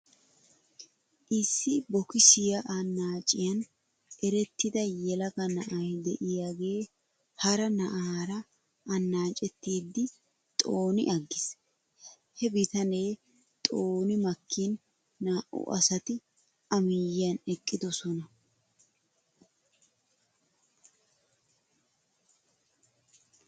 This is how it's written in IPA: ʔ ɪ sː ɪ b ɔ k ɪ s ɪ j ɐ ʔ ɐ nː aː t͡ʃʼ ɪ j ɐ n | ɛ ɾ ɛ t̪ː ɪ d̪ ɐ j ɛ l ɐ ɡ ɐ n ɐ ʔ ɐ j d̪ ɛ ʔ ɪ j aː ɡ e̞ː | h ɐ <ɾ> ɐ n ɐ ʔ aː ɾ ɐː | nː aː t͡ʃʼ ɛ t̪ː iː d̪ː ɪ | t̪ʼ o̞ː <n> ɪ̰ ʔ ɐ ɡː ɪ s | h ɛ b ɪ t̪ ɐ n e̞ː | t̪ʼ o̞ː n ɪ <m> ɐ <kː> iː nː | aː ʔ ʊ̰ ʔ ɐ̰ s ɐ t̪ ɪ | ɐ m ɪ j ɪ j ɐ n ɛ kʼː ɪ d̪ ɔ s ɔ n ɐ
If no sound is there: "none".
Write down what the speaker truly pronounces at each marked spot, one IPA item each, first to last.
ɾ, n, m, kː

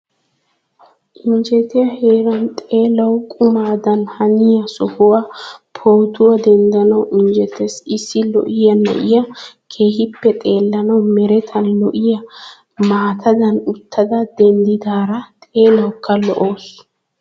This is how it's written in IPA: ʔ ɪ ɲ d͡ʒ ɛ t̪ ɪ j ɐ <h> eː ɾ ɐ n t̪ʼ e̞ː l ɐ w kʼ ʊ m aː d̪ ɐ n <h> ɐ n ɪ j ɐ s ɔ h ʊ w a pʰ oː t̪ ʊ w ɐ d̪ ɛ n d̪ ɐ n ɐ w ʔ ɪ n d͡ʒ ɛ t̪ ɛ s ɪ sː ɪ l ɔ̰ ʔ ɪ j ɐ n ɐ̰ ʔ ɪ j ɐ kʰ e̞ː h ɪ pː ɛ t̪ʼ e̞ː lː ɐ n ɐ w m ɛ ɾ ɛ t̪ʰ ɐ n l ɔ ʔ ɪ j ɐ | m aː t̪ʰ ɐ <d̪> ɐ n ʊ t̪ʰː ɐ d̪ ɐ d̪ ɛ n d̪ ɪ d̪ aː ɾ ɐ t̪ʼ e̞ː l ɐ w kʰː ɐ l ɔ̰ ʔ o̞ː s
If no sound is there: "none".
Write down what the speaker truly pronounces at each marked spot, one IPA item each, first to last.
h, h, d̪

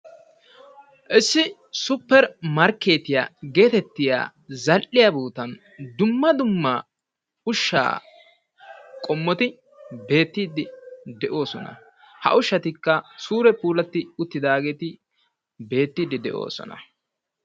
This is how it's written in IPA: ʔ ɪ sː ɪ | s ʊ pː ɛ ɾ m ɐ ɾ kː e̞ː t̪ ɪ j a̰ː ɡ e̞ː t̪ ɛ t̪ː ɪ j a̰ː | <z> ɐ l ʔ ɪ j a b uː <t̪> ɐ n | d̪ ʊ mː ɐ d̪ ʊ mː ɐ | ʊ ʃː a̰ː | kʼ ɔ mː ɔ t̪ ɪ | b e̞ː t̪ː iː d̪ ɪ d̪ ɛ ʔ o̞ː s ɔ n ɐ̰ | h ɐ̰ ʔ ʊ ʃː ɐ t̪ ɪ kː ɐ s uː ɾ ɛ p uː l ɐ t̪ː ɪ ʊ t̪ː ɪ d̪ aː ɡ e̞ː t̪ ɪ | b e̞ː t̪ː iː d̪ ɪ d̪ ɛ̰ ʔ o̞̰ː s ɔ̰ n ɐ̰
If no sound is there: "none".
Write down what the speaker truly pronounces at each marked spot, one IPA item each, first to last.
z, t̪

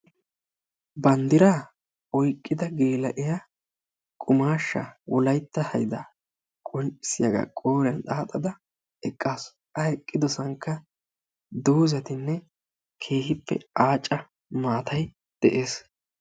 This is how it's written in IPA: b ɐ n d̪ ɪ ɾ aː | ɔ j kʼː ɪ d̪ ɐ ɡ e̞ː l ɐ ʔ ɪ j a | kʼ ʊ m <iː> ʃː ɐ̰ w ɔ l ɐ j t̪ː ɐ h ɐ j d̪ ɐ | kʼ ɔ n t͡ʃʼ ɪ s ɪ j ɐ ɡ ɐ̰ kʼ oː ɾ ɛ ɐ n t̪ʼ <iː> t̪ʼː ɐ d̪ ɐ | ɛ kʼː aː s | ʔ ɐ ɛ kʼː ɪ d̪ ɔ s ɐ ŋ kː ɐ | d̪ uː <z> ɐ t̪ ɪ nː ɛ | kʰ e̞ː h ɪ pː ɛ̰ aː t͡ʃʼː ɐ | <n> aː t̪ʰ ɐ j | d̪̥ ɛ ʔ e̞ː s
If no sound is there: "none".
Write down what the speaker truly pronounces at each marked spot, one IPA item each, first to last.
aː, aː, z, m

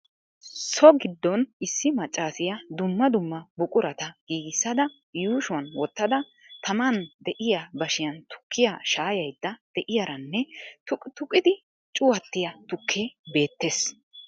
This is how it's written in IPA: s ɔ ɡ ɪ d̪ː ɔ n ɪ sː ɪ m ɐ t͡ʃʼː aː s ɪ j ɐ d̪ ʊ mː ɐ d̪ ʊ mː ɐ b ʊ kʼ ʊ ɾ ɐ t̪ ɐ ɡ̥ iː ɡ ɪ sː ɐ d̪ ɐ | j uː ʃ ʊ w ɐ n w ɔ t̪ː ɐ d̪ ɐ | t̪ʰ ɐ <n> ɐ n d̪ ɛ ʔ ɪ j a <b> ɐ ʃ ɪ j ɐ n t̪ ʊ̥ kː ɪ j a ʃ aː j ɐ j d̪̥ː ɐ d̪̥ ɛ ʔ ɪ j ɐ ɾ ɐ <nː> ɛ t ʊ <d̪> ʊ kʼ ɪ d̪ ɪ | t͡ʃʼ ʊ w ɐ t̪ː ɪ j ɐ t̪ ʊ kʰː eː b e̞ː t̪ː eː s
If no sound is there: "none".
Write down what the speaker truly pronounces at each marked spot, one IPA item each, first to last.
m, b, nː, t̪

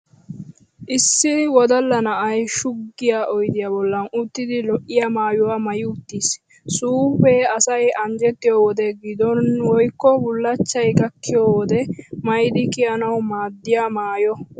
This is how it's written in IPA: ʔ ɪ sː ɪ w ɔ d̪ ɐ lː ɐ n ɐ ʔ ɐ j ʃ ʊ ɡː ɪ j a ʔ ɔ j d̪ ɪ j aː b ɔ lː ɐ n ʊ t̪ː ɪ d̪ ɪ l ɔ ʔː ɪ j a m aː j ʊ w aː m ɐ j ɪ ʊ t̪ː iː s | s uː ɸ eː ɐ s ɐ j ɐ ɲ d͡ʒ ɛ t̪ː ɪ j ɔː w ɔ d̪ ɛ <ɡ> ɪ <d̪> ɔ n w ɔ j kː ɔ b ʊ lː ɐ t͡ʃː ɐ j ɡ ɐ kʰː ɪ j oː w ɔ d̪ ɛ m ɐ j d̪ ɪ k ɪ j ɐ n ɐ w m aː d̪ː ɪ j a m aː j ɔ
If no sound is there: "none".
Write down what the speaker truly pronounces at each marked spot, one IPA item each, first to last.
ɡ, d̪

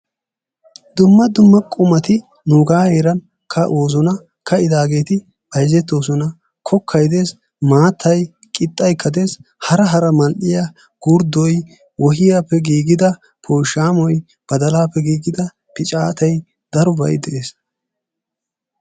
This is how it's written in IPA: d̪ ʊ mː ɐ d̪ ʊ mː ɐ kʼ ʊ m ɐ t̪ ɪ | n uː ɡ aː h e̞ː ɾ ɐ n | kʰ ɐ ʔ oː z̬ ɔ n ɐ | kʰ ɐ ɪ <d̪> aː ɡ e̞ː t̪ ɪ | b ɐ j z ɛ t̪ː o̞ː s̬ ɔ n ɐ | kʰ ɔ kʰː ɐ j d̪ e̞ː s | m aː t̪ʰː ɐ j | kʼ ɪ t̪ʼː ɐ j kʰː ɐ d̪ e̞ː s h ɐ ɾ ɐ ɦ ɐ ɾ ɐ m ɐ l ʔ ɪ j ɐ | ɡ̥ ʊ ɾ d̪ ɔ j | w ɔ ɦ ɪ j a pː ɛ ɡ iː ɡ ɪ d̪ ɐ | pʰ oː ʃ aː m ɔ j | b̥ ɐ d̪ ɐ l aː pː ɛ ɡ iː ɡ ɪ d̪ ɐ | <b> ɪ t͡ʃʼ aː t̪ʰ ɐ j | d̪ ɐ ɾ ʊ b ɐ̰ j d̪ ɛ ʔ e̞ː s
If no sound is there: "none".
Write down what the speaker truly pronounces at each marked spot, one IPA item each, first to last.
d̪, p

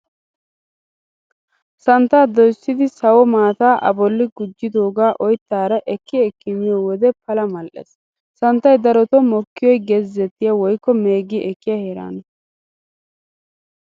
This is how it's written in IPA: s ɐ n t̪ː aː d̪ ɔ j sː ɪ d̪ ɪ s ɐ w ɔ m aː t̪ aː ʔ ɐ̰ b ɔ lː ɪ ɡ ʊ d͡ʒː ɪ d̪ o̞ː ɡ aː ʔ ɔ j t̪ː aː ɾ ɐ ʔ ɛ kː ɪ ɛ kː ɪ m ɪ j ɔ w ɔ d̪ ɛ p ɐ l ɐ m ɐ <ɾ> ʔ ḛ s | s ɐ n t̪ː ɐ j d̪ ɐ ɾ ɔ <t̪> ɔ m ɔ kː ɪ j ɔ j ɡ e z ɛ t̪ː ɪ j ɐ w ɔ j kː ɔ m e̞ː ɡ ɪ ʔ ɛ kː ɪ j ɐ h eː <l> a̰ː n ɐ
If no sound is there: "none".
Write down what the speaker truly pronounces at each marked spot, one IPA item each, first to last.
l, t̪, ɾ

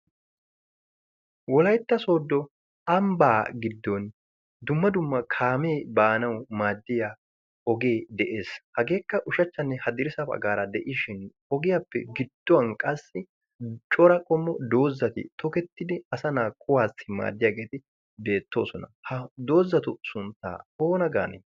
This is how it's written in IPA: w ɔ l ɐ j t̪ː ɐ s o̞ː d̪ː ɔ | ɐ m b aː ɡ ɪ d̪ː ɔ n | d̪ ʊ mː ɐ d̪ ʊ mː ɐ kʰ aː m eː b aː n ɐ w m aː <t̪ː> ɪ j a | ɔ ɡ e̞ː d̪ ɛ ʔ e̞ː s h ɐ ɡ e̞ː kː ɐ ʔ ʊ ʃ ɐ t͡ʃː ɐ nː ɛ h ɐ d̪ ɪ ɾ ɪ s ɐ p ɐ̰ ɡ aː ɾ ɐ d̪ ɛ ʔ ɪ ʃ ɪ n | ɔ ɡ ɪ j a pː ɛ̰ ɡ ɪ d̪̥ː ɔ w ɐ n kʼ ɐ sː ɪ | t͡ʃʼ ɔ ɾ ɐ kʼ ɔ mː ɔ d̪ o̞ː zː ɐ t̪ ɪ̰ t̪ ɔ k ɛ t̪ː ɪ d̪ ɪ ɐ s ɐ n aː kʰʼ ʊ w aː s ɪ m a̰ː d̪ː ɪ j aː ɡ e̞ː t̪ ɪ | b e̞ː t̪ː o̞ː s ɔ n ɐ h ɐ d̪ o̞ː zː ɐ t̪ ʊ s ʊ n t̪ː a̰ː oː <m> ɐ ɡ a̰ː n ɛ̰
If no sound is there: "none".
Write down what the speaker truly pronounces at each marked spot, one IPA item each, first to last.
d̪ː, n

